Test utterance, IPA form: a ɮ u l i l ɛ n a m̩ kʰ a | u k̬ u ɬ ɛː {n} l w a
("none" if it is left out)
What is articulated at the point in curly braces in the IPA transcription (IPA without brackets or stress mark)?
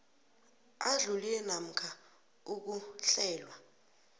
none